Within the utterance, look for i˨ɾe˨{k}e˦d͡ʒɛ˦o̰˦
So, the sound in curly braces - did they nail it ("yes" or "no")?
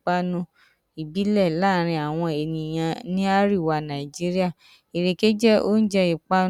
yes